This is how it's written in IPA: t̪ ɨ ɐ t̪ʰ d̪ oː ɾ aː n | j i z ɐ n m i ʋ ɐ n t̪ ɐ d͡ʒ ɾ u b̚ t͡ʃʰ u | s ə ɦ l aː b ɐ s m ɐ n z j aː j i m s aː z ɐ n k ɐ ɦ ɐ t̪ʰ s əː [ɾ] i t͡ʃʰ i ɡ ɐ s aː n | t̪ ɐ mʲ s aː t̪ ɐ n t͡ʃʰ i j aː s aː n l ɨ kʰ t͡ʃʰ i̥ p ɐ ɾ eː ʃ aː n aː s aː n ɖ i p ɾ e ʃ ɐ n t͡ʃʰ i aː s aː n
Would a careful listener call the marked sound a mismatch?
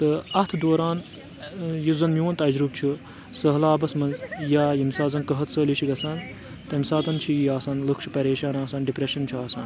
yes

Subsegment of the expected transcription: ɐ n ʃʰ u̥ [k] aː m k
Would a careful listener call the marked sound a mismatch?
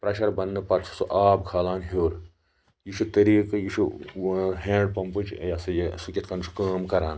no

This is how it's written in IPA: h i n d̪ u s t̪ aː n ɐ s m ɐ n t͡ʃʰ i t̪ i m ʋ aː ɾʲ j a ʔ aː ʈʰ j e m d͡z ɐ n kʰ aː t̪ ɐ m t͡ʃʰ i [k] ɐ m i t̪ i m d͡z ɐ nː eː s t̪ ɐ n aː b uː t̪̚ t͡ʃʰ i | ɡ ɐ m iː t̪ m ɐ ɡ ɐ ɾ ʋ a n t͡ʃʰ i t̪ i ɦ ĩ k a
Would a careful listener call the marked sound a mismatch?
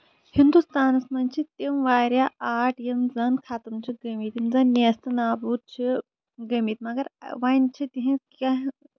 yes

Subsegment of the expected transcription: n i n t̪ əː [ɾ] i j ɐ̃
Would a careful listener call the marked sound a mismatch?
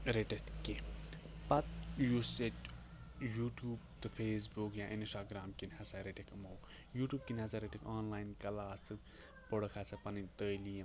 yes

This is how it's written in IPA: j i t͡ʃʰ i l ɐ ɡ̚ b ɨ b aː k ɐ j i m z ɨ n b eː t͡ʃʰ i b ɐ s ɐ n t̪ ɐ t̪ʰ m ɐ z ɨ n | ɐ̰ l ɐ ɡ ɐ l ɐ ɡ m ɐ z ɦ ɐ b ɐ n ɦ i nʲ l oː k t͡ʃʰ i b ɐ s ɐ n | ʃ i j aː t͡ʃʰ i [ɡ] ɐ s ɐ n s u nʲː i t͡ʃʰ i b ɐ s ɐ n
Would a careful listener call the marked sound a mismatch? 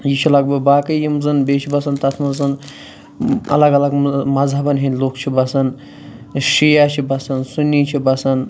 yes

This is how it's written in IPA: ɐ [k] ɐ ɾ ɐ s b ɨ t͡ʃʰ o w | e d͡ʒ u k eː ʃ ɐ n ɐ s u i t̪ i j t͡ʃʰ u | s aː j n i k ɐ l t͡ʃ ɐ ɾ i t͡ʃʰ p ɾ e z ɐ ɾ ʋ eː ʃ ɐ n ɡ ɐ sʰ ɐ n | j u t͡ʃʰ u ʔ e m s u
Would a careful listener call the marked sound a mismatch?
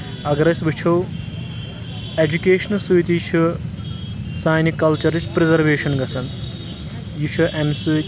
yes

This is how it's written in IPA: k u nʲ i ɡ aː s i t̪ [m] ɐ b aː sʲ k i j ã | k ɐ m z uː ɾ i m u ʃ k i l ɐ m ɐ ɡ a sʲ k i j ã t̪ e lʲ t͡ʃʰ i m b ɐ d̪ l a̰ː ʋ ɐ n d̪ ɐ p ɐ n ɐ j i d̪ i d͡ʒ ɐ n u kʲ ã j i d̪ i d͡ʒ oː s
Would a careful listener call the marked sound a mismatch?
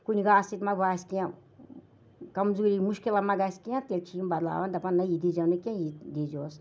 no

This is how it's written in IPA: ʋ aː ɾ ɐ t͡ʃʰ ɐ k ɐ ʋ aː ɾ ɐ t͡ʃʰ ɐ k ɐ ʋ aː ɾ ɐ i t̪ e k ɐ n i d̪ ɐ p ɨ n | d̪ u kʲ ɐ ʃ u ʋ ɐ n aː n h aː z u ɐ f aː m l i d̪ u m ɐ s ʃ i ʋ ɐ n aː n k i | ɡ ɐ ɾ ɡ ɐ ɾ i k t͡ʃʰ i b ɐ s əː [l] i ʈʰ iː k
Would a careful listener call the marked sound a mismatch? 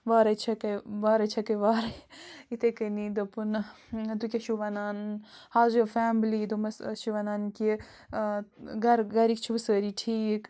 yes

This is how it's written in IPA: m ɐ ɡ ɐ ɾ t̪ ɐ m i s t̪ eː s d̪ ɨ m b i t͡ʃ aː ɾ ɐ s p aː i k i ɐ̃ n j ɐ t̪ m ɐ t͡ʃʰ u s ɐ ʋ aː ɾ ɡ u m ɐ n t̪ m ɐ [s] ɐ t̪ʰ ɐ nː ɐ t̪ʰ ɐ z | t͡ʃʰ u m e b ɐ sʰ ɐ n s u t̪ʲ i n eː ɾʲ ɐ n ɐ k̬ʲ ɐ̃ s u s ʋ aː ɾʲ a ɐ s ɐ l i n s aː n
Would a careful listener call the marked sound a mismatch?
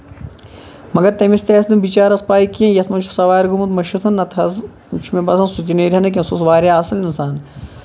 yes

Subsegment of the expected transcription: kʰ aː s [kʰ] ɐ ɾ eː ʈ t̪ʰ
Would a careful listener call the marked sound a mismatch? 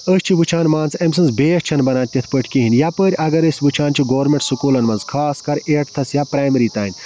yes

